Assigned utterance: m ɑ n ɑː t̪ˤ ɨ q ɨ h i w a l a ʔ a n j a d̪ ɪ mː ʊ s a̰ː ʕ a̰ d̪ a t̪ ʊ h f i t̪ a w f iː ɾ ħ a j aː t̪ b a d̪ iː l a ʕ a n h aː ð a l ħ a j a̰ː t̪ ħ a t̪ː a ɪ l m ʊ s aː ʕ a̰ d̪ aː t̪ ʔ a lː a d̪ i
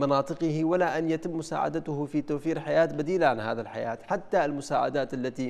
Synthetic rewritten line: m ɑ n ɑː t̪ˤ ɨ q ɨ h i w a l a ʔ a n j a t̪ ɪ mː ʊ s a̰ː ʕ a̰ d̪ a t̪ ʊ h f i t̪ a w f iː ɾ ħ a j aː t̪ b a d̪ iː l a ʕ a n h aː ð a l ħ a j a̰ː t̪ ħ a t̪ː a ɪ l m ʊ s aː ʕ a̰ d̪ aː t̪ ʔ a lː a t̪ i